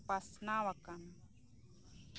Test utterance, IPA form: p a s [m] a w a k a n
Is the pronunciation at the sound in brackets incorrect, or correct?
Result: incorrect